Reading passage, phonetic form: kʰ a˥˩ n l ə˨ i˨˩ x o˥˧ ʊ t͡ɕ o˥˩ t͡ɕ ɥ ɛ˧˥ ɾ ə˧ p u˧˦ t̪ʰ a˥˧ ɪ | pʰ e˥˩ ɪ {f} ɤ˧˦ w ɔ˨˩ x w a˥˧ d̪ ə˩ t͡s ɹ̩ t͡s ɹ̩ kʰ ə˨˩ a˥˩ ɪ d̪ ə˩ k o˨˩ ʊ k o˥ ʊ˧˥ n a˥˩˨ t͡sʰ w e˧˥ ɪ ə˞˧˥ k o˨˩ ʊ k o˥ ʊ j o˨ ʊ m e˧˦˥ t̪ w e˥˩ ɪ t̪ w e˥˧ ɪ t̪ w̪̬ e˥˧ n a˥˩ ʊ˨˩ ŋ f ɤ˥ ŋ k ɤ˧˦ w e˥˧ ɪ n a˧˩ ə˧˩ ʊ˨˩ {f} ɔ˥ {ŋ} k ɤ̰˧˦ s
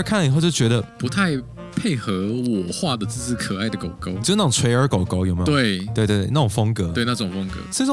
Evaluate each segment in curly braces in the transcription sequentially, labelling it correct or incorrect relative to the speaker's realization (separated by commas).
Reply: incorrect, correct, correct